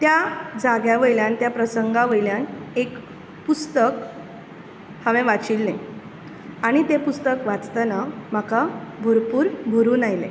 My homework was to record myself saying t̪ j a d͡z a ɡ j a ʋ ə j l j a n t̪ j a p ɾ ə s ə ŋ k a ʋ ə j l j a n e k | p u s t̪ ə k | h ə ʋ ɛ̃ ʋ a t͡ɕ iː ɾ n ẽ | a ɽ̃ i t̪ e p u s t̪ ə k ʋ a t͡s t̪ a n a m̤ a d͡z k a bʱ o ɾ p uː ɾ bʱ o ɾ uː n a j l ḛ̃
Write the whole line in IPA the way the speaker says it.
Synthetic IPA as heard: t̪ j a d͡z a ɡ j a ʋ ə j l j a n t̪ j a p ɾ ə s ə ŋ ɡ a ʋ ə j l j a n e k | p u s t̪ ə k | h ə ʋ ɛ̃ ʋ a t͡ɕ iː l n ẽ | a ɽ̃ i t̪ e p u s t̪ ə k ʋ a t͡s t̪ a n a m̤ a k a bʱ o ɾ p uː ɾ bʱ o ɾ uː n a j l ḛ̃

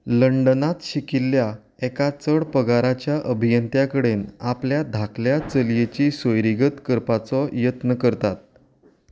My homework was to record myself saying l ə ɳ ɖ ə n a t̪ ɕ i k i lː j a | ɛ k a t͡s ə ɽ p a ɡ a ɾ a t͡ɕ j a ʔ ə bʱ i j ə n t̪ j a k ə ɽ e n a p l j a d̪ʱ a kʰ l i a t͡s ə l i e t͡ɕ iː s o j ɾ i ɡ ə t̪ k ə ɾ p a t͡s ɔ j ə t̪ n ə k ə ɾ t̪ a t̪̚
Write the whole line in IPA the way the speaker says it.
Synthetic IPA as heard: l ə ɳ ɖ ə n a t̪ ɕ i k i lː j a | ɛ k a t͡s ə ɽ p ə ɡ a ɾ a t͡ɕ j a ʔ ə bʱ i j ə n t̪ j a k ə ɽ e n a p l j a d̪ʱ a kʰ l j a t͡s ə l j e t͡ɕ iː s o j ɾ i ɡ ə t̪ k ə ɾ p a t͡s ɔ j ə t̪ n ə k ə ɾ t̪ a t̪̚

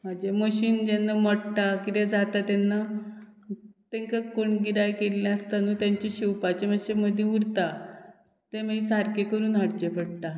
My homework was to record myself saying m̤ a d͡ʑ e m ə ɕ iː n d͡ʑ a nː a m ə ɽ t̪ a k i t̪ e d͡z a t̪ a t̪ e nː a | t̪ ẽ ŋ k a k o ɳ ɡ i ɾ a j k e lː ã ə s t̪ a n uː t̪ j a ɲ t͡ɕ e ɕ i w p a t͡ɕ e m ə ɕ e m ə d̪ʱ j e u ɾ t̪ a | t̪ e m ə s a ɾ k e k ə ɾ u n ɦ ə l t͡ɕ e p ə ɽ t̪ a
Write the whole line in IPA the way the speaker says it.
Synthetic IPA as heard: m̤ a d͡ʑ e m ə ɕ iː n d͡ʑ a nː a m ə ɽ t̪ a k i t̪ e d͡z a t̪ a t̪ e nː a | t̪ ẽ ŋ k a k o ɳ ɡ i ɾ a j k e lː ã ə s t̪ a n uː t̪ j a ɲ t͡ɕ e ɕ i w p a t͡ɕ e m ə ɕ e m ə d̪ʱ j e u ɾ t̪ a | t̪ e m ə s a ɾ k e k ə ɾ uː n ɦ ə ɽ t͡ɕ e p ə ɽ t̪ a

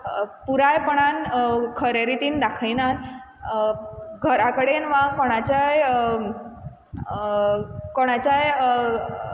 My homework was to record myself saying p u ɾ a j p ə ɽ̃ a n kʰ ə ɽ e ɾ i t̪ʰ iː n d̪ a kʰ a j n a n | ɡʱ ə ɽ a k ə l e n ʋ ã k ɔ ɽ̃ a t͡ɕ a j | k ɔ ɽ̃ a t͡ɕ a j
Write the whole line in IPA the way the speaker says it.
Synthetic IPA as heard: p u ɾ a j p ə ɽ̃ a n kʰ ə ɾ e ɾ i t̪ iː n d̪ a kʰ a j n a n | ɡʱ ə ɾ a k ə ɽ e n ʋ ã k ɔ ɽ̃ a t͡ɕ a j | k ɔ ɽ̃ a t͡ɕ a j

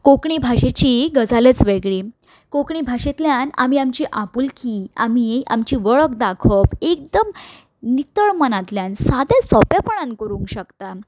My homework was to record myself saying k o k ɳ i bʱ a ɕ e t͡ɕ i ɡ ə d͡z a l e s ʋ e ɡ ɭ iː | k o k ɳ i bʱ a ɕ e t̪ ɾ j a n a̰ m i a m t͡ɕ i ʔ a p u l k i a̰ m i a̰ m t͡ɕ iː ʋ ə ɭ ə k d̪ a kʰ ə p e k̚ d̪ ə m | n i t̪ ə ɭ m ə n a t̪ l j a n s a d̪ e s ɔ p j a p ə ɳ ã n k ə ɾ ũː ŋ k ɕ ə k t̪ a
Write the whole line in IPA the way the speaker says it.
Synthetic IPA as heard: k o k ɳ i bʱ a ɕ e t͡ɕ i ɡ ə d͡z a l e t͡s ʋ e ɡ ɭ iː | k o k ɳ i bʱ a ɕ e t̪ l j a n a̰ m i a m t͡ɕ i ʔ a p u l k i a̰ m i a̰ m t͡ɕ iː ʋ ə ɭ ə k d̪ a kʰ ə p e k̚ d̪ ə m | n i t̪ ə ɭ m ə n a t̪ l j a n s a d̪ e s ɔ p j a p ə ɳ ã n k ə ɾ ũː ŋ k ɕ ə k t̪ a

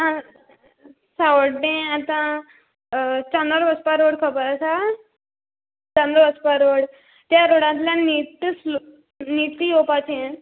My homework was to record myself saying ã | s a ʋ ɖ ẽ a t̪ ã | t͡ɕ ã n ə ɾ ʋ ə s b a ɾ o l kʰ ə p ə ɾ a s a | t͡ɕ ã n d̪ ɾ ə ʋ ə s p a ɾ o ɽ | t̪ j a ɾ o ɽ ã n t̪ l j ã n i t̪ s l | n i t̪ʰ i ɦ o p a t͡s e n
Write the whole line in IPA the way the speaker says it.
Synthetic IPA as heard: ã | s a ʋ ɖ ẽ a t̪ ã | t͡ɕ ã n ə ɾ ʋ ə s p a ɾ o ɽ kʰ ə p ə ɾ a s a | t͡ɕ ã n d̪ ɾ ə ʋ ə s p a ɾ o ɽ | t̪ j a ɾ o ɽ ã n t̪ l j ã n i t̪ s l | n i t̪ i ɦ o p a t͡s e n

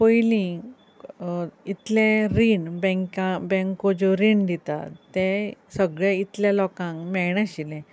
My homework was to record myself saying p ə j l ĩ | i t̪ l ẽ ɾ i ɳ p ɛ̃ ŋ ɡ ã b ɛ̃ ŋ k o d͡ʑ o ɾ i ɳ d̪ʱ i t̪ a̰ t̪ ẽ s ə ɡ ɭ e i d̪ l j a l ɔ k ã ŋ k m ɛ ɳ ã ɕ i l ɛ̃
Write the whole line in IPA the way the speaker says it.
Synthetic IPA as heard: p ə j l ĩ | i t̪ l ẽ ɾ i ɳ b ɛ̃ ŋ k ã b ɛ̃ ŋ k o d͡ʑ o ɾ i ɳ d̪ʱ i t̪ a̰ t̪ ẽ s ə ɡ ɭ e i t̪ l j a l ɔ k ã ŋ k m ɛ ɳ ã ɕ i l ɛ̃

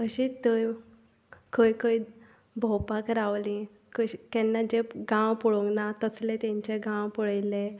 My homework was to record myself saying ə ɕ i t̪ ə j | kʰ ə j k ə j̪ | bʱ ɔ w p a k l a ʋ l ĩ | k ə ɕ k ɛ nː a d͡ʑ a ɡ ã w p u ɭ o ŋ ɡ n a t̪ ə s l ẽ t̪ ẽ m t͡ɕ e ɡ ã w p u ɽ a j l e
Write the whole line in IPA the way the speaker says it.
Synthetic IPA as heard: ə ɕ i t̪ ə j | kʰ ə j k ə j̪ | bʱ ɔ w p a k ɾ a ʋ l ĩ | k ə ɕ k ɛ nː a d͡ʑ e ɡ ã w p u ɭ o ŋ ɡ n a t̪ ə s l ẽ t̪ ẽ ɲ t͡ɕ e ɡ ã w p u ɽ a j l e

